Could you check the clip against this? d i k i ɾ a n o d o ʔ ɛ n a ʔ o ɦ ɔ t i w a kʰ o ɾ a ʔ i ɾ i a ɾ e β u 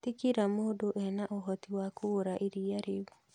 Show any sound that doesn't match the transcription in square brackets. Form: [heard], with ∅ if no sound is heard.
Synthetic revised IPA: [t] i k i ɾ a [m] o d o ʔ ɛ n a ʔ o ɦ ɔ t i w a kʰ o ɾ a ʔ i ɾ i a ɾ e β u